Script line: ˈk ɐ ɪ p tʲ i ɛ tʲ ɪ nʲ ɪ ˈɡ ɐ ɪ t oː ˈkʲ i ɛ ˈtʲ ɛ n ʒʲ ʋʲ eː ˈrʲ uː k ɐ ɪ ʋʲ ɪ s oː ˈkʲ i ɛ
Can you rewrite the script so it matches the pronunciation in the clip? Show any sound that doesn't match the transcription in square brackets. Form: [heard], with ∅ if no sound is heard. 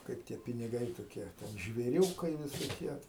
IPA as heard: ˈk ɐ ɪ p tʲ i ɛ [pʲ] ɪ nʲ ɪ ˈɡ ɐ ɪ t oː ˈkʲ i ɛ ˈtʲ ɛ n ʒʲ ʋʲ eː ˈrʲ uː k ɐ ɪ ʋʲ ɪ s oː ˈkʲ i ɛ